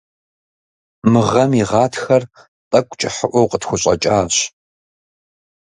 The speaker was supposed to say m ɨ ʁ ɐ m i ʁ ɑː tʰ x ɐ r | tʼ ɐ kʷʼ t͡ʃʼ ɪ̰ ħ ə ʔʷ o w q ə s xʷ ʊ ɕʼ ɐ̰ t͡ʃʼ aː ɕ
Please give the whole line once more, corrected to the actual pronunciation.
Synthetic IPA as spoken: m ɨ ʁ ɐ m i ʁ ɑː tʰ x ɐ r | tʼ ɐ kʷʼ t͡ʃʼ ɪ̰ ħ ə ʔʷ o w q ə t xʷ ʊ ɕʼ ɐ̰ t͡ʃʼ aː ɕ